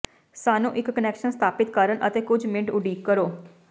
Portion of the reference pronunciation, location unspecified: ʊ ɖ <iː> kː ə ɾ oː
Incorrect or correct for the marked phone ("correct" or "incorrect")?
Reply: correct